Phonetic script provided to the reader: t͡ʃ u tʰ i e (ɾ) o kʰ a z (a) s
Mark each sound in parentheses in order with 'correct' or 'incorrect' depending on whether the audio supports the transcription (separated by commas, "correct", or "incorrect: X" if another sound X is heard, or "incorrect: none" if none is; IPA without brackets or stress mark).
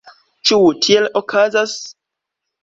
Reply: incorrect: l, correct